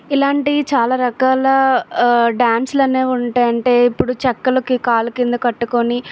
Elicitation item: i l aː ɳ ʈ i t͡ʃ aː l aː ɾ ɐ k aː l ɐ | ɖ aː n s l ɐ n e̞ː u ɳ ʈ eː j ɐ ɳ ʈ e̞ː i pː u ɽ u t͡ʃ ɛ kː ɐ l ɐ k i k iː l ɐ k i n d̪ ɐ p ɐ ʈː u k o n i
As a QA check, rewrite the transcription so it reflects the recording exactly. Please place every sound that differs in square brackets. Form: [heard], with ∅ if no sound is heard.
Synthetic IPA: i l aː ɳ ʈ i t͡ʃ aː l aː ɾ ɐ k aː l ɐ | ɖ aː n s l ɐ n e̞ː u ɳ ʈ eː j ɐ ɳ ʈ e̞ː i pː u ɽ u t͡ʃ ɛ kː ɐ l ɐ k i k [aː] l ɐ k i n d̪ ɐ [k] ɐ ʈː u k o n i